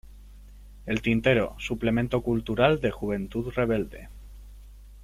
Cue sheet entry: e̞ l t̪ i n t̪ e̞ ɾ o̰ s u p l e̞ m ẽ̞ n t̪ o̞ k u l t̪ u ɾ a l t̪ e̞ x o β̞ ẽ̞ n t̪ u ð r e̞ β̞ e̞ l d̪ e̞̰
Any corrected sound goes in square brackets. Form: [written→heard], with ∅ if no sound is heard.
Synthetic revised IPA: e̞ l t̪ i n t̪ e̞ ɾ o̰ s u p l e̞ m ẽ̞ n t̪ o̞ k u l t̪ u ɾ a l [t̪→d̪] e̞ x [o→u] β̞ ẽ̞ n t̪ u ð r e̞ β̞ e̞ l d̪ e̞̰